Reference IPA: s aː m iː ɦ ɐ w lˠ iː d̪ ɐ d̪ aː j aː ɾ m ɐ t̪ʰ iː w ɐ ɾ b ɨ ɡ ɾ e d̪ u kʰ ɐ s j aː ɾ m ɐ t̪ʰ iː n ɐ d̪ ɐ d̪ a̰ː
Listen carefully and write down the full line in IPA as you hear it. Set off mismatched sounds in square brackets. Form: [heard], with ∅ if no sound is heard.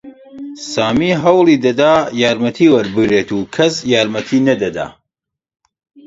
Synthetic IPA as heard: s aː m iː ɦ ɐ w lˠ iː d̪ ɐ d̪ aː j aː ɾ m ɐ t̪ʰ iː w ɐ ɾ b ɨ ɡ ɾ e [t̪] u kʰ ɐ s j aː ɾ m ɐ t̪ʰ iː n ɐ d̪ ɐ d̪ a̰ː

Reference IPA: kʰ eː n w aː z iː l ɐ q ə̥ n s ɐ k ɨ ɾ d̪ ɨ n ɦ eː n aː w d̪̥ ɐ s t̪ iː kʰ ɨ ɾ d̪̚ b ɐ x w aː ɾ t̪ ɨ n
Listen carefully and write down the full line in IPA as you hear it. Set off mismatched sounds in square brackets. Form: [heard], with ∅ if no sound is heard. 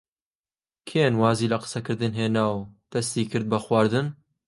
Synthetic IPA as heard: kʰ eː n w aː z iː l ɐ q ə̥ [∅] s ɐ k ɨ ɾ d̪ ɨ n ɦ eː n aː w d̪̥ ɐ s t̪ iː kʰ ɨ ɾ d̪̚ b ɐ x w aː ɾ [d̪] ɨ n

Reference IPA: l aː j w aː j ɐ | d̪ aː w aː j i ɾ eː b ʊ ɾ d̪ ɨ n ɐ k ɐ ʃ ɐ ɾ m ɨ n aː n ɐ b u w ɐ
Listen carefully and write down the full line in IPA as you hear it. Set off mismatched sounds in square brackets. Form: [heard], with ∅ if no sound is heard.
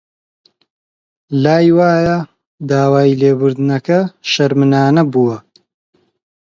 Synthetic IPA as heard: l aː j w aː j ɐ | d̪ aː w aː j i [l] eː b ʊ ɾ d̪ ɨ n ɐ k ɐ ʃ ɐ ɾ m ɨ n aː n ɐ b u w ɐ

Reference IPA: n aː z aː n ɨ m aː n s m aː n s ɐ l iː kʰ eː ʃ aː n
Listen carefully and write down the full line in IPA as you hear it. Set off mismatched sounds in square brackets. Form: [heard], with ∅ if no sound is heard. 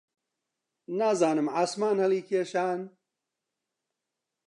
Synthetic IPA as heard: n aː z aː n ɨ m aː [∅] s m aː n [h] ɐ l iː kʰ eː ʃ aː n

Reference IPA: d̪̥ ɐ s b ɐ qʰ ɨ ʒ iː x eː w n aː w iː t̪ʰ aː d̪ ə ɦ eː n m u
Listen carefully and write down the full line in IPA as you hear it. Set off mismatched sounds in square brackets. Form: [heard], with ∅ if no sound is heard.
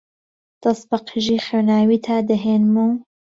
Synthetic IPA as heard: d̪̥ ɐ s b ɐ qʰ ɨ ʒ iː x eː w n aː w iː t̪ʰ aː d̪ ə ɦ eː n m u

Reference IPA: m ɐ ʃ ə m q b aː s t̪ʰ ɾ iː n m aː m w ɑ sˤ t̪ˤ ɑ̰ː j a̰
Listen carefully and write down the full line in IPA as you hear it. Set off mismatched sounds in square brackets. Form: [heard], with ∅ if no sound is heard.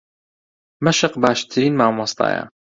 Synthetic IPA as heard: m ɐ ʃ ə [∅] q b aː [ʃ] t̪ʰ ɾ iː n m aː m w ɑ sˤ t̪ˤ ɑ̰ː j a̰

